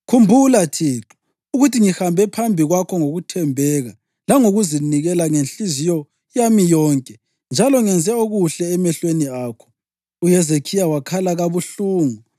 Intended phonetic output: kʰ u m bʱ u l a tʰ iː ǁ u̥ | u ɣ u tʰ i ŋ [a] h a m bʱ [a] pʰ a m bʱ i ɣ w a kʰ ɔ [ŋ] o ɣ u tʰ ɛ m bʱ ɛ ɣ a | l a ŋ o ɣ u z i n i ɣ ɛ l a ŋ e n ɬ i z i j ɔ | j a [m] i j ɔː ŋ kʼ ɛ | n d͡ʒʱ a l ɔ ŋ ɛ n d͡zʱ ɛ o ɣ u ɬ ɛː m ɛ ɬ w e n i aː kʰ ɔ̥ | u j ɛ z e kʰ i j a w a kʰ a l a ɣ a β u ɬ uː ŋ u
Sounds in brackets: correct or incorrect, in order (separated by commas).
incorrect, incorrect, correct, correct